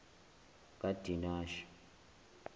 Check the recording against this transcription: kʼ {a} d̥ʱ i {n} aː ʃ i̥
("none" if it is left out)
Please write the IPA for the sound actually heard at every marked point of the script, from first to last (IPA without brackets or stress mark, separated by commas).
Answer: a, n